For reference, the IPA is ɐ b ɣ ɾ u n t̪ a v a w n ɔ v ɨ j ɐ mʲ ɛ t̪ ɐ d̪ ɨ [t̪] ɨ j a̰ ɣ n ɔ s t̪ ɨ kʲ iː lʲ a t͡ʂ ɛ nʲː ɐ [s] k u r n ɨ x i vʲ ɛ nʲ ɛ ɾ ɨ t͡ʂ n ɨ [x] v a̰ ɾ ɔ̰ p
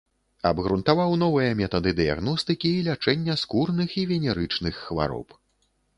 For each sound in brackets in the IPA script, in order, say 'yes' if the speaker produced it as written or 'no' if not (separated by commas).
no, yes, no